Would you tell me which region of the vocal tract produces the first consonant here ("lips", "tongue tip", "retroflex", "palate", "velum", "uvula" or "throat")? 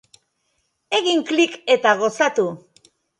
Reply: velum